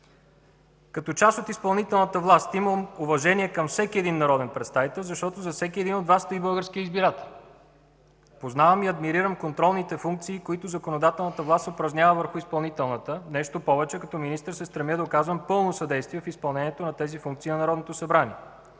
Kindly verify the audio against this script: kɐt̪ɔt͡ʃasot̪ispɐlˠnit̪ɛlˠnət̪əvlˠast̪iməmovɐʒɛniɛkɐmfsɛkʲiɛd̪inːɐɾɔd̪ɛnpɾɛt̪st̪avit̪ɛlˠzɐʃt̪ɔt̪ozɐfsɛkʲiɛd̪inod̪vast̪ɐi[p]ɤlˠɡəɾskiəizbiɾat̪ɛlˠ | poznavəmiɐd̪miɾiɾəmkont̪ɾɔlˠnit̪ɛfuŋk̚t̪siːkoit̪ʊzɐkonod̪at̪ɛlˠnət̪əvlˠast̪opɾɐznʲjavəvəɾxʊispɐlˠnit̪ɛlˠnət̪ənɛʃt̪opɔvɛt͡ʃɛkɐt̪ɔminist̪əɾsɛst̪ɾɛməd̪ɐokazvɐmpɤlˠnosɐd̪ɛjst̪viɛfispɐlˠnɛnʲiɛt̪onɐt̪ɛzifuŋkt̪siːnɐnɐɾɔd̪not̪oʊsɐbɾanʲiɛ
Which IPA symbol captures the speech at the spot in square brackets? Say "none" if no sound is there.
b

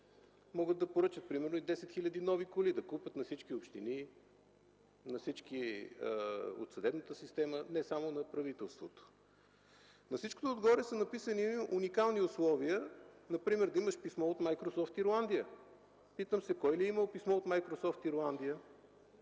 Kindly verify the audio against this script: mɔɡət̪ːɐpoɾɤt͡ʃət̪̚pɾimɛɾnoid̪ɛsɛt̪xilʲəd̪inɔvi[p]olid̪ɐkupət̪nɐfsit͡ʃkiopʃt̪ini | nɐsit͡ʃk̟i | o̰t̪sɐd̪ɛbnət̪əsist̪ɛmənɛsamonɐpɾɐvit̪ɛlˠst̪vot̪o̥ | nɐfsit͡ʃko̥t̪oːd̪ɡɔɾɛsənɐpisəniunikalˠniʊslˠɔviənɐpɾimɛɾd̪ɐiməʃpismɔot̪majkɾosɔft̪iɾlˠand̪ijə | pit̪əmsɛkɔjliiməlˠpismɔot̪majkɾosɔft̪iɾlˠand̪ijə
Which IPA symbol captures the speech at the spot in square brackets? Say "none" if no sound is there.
k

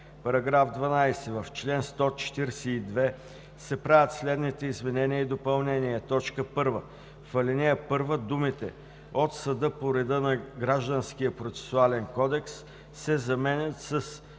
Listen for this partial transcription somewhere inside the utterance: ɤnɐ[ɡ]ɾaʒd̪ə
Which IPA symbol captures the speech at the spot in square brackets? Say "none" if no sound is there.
ɡ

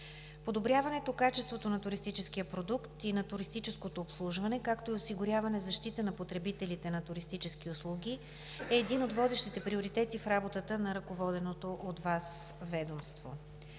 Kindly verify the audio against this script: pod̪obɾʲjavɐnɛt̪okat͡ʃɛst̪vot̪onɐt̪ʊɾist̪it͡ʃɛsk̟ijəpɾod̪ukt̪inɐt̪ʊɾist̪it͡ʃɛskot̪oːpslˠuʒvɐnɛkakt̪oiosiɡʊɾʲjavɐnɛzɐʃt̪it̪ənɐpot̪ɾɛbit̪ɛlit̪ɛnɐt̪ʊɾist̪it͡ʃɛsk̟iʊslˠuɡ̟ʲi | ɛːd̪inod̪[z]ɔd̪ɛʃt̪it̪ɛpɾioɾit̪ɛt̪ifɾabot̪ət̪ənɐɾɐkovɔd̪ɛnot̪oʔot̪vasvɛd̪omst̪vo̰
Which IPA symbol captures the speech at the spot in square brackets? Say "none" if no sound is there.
v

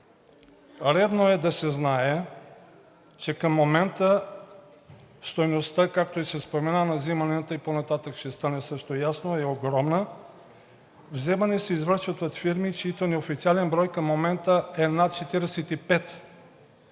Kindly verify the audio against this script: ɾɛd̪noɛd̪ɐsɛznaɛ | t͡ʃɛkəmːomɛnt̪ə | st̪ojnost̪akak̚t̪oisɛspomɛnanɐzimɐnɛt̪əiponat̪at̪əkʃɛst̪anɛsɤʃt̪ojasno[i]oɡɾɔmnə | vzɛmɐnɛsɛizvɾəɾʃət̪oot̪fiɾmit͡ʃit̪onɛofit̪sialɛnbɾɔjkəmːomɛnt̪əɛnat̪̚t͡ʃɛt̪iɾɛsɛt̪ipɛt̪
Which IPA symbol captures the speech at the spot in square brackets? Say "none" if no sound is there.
ɛ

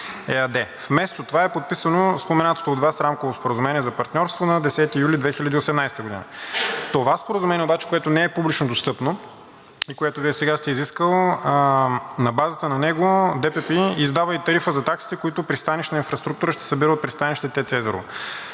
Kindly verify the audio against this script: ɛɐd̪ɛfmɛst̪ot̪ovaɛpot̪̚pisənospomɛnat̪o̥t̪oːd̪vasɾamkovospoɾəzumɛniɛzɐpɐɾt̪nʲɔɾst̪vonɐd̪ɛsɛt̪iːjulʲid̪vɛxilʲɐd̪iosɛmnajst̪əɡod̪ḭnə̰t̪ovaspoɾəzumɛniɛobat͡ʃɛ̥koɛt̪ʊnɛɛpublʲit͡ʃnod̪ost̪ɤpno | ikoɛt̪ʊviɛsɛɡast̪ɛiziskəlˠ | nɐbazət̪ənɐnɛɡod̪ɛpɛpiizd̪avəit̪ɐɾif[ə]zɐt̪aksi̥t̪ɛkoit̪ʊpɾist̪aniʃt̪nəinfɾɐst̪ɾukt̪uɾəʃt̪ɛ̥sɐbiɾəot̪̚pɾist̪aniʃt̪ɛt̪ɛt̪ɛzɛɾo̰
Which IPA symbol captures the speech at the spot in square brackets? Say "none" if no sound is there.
ə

